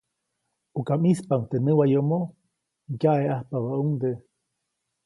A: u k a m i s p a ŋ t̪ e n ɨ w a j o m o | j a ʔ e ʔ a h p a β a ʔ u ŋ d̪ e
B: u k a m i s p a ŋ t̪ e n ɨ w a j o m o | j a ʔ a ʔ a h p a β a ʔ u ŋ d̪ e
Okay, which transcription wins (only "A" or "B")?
A